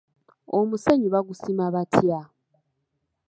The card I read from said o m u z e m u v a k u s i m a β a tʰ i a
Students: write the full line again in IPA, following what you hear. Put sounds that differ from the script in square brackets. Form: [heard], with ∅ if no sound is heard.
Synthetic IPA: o m u [s] e [ɲ] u [β] a [ɡ] u s i m a β a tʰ [j] a